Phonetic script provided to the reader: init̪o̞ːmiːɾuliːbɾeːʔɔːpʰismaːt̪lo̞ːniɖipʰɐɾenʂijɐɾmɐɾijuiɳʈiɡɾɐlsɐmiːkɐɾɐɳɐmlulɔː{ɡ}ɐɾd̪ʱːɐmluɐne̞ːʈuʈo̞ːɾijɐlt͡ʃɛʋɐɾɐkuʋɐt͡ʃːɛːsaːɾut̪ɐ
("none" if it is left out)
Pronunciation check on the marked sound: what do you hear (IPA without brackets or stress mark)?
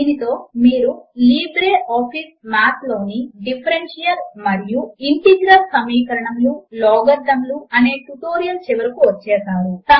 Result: ɡ